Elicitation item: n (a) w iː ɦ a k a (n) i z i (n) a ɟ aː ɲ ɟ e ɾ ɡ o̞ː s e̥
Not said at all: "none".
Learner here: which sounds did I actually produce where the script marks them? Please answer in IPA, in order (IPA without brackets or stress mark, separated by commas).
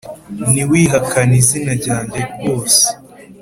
i, n, n